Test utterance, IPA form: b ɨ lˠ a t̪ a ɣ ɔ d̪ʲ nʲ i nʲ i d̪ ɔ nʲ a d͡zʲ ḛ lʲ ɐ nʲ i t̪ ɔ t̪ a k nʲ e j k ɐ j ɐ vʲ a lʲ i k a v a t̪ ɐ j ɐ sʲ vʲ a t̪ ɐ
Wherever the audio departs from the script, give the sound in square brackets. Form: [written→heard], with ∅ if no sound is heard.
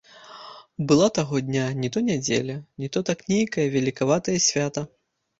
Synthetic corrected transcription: b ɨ lˠ a t̪ a ɣ ɔ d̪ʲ nʲ [i→a] nʲ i [d̪→t̪] ɔ nʲ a d͡zʲ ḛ lʲ ɐ nʲ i t̪ ɔ t̪ a k nʲ e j k ɐ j ɐ vʲ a lʲ i k a v a t̪ ɐ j ɐ sʲ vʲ a t̪ ɐ